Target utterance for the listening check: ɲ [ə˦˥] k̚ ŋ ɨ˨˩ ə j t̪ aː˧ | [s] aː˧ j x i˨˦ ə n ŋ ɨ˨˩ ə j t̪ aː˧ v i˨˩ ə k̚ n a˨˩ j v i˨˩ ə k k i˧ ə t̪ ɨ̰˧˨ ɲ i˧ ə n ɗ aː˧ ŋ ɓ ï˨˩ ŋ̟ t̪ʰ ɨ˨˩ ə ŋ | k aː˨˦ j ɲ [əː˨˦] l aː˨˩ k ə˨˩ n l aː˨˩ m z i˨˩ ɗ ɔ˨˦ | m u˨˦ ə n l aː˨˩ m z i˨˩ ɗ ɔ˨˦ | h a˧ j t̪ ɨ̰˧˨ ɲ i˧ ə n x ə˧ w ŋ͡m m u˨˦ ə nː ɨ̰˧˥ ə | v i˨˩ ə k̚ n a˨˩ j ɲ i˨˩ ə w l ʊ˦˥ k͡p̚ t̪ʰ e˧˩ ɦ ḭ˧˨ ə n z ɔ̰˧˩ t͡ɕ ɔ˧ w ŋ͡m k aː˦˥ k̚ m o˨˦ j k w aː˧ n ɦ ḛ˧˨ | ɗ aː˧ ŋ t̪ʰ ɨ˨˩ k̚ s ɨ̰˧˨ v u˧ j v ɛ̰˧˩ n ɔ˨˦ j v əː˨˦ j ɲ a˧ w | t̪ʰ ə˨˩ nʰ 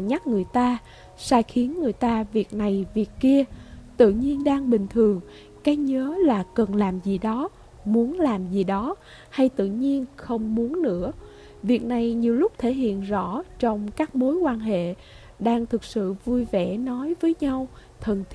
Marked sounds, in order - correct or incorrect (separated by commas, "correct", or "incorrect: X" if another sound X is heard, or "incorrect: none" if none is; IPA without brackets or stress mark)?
incorrect: a˦˥, correct, correct